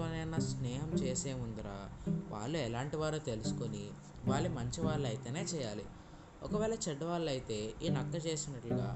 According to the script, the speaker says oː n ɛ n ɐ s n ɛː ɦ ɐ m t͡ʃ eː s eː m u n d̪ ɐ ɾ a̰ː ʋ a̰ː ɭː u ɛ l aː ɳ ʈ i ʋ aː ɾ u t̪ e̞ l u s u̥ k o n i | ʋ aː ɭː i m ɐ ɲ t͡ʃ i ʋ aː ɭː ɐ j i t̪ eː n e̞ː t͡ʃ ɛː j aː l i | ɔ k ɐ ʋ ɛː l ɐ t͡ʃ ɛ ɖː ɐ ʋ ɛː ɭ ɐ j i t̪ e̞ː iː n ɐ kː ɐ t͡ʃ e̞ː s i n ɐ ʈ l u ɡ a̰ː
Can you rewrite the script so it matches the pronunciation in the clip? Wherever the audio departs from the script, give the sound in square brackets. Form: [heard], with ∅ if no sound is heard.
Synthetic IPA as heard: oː n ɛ n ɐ s n ɛː ɦ ɐ m t͡ʃ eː s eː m u n d̪ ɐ ɾ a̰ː ʋ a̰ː ɭː u ɛ l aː ɳ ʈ i ʋ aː ɾ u t̪ e̞ l u s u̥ k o n i | ʋ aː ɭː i m ɐ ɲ t͡ʃ i ʋ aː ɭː ɐ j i t̪ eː n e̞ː t͡ʃ ɛː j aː l i | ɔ k ɐ ʋ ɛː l ɐ t͡ʃ ɛ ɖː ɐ ʋ [aː] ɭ ɐ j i t̪ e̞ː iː n ɐ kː ɐ t͡ʃ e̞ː s i n ɐ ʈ l u ɡ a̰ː